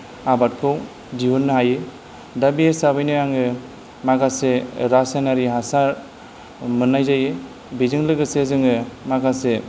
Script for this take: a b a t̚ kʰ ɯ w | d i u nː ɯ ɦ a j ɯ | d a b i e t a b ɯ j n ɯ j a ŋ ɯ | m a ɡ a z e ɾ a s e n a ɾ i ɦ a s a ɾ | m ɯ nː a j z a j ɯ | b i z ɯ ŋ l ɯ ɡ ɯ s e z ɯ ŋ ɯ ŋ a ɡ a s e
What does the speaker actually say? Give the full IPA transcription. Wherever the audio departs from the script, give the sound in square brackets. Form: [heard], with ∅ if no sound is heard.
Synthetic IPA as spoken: a b a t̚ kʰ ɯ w | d i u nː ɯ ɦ a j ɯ | d a b i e [s] a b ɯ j n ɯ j a ŋ ɯ | m a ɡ a [s] e ɾ a s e n a ɾ i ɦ a s a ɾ | m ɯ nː a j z a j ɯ | b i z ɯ ŋ l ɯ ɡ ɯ s e z ɯ ŋ ɯ [m] a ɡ a s e